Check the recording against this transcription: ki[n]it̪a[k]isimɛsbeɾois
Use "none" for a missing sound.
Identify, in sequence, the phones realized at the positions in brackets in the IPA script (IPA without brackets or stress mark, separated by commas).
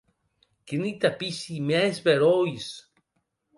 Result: n, p